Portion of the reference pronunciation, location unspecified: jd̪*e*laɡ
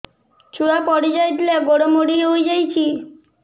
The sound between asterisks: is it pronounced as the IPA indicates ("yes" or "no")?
no